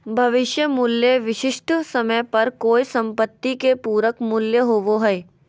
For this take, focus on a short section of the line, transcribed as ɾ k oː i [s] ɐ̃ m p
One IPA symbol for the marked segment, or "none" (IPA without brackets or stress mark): s